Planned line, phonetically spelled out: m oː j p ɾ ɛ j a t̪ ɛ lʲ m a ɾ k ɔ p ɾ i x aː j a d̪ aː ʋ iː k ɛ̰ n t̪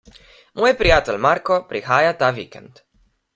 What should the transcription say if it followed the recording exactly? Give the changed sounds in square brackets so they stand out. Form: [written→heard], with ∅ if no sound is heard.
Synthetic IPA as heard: m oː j p ɾ [ɛ→i] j a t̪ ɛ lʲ m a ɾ k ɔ p ɾ i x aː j a [d̪→t̪] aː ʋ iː k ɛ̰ n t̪